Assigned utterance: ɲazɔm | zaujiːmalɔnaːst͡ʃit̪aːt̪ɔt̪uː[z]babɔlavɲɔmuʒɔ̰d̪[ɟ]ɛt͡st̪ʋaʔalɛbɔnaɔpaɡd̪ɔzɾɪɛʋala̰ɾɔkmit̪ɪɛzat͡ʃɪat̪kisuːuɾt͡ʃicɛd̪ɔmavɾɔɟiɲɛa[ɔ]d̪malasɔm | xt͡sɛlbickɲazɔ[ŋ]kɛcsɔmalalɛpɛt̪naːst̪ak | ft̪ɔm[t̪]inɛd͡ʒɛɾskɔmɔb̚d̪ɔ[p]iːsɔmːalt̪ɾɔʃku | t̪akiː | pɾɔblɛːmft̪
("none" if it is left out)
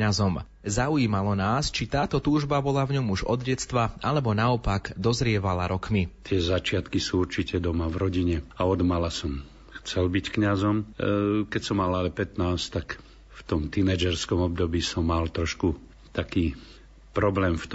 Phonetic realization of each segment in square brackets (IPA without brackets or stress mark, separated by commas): ʒ, ɟ, ɔ, m, t̪, b